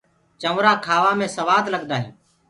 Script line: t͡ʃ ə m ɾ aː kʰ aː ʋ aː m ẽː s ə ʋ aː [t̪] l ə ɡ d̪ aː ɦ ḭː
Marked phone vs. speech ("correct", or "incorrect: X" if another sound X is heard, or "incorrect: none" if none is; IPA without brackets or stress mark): incorrect: d̪